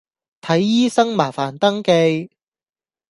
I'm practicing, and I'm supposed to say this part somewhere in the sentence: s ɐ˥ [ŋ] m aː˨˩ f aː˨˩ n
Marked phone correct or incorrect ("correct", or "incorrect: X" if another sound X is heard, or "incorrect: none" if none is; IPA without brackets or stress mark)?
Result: correct